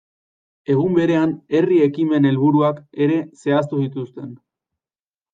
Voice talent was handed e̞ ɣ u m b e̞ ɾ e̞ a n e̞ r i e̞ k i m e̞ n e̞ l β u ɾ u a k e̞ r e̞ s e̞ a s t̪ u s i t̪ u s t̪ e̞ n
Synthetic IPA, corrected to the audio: e̞ ɣ u m b e̞ ɾ e̞ a n e̞ r i e̞ k i m e̞ n e̞ l β u ɾ u a k e̞ ɾ e̞ s e̞ a s t̪ u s i t̪ u s t̪ e̞ n